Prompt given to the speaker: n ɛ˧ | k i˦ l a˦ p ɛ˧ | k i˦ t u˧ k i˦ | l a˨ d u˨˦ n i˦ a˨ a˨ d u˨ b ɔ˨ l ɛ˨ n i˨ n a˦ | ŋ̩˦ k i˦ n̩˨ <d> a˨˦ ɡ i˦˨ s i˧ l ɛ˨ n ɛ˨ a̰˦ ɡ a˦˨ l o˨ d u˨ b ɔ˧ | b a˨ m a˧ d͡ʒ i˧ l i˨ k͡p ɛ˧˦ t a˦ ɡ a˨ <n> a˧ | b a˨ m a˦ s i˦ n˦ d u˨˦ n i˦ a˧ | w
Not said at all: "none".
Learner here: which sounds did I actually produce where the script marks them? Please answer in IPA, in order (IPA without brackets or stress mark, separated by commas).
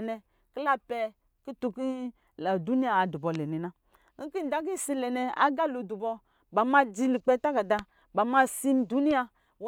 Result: d, d